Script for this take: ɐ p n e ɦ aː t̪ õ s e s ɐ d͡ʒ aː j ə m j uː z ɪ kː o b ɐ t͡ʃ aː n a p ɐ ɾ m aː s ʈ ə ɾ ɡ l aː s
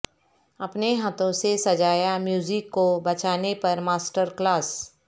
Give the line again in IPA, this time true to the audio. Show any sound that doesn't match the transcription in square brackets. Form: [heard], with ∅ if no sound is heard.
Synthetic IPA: ɐ p n e ɦ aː t̪ õ s e s ɐ d͡ʒ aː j [a] m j uː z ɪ kː o b ɐ t͡ʃ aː n [e] p ɐ ɾ m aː s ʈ ə ɾ [k] l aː s